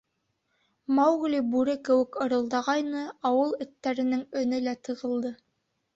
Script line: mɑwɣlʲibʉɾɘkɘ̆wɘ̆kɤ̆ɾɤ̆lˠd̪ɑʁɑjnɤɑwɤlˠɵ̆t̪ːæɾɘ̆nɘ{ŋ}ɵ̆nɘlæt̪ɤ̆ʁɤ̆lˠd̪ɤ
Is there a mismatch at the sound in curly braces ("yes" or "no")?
no